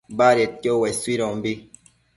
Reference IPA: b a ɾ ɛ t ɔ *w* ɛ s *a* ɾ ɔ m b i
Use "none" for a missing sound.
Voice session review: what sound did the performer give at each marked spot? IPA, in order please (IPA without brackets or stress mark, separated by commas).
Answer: w, i